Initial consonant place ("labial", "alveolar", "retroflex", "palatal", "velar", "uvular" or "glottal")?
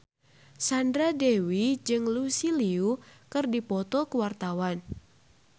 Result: alveolar